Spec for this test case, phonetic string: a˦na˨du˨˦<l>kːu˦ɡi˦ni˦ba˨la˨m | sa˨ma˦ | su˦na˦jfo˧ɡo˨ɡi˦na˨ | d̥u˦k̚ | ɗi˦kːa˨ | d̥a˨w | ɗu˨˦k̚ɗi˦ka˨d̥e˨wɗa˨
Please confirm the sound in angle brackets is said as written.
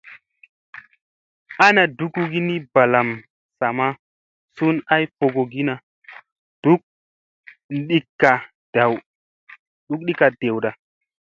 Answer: no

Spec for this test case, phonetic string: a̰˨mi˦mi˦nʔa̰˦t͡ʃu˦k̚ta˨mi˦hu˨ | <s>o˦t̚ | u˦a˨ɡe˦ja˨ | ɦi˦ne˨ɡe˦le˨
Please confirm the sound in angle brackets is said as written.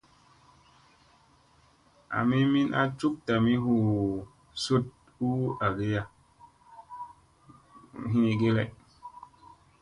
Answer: yes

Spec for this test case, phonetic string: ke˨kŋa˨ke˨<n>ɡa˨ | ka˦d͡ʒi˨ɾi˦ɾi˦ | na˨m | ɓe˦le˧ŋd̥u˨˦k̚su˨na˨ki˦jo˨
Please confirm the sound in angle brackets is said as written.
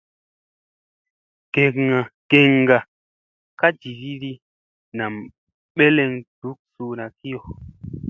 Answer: no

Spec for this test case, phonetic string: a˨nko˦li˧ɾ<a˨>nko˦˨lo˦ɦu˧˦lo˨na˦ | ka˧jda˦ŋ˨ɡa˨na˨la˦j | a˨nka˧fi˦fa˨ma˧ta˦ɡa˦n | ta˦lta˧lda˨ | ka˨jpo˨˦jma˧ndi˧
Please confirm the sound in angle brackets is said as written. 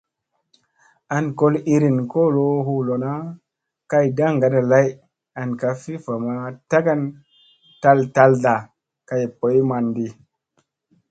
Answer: no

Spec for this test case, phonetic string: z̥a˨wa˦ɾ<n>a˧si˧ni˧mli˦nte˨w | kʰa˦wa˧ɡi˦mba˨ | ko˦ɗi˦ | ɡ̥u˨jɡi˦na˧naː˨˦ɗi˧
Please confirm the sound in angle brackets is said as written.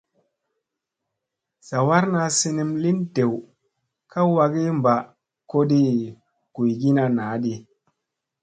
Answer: yes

